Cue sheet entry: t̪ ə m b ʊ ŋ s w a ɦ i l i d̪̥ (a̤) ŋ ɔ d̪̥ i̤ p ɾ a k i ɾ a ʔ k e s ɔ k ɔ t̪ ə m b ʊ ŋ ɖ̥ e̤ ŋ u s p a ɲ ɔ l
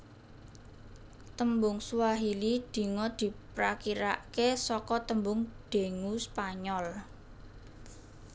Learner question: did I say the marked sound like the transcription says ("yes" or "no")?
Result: no